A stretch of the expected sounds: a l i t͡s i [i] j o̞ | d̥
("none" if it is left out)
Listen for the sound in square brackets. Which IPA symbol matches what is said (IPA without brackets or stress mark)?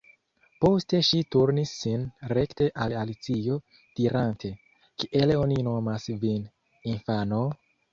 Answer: i